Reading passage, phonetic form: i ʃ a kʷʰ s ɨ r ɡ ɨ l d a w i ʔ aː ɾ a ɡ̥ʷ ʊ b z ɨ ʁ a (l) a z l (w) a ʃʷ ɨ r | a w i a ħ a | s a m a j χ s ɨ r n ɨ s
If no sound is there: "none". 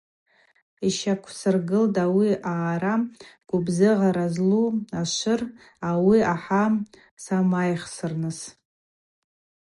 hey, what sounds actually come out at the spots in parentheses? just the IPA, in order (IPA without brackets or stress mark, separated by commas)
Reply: ɾ, u